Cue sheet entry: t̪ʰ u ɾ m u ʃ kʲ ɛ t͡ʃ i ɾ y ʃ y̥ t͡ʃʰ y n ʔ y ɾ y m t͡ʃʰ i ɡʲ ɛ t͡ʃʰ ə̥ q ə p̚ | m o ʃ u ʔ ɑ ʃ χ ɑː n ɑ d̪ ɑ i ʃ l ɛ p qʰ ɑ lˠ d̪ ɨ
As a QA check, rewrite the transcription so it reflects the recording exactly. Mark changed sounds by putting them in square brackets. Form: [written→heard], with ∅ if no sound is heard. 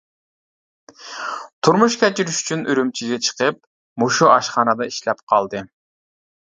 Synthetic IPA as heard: t̪ʰ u ɾ m u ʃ kʲ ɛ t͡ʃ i ɾ y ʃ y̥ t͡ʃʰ y n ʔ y ɾ y m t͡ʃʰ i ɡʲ ɛ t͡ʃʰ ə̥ q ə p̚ | m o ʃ u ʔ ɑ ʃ χ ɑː n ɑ d̪ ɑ i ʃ l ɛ p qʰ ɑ lˠ d̪ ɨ